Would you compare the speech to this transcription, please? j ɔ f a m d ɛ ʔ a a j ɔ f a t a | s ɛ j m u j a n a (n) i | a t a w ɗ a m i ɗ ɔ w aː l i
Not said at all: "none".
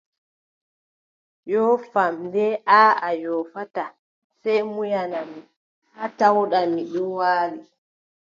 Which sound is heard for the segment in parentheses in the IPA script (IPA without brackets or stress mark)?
m